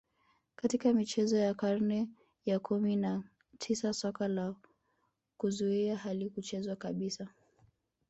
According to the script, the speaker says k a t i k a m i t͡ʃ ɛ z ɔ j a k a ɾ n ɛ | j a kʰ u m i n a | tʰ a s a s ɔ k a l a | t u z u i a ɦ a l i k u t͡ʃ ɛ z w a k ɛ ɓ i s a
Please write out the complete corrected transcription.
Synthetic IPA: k a t i k a m i t͡ʃ ɛ z ɔ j a k a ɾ n ɛ | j a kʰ u m i n a | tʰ i s a s ɔ k a l a | k u z u i a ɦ a l i k u t͡ʃ ɛ z w a k a ɓ i s a